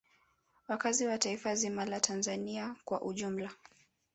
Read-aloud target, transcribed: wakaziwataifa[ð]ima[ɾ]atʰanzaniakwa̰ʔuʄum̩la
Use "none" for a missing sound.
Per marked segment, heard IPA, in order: z, l

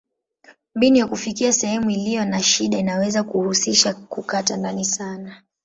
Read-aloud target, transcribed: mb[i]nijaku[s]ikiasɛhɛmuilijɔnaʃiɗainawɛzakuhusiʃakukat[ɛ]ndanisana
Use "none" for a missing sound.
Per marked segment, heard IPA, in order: i, f, a

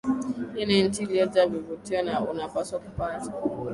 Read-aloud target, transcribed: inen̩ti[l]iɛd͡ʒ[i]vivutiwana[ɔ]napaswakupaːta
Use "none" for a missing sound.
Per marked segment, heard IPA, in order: l, a, u

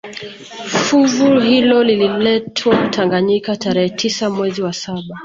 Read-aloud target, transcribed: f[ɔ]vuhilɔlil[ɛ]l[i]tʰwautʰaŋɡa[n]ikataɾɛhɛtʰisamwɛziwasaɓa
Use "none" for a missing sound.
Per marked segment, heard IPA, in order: u, i, ɛ, ɲ

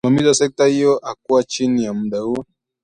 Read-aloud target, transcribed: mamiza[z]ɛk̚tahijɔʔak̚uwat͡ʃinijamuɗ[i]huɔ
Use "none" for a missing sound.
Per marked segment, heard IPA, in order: s, a

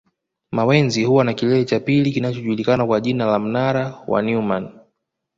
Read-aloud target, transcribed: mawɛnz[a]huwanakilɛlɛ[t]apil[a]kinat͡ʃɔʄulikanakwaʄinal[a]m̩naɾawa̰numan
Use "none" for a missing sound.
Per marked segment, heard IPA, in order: i, t͡ʃ, i, a

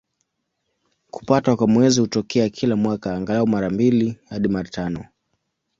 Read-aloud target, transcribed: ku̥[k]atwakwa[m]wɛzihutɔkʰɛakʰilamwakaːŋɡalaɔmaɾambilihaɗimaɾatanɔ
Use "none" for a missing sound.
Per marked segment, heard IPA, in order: p, m

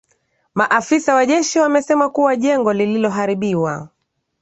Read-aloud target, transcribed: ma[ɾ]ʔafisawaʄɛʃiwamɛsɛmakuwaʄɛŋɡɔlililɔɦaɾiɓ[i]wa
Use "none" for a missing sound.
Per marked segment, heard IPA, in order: none, i

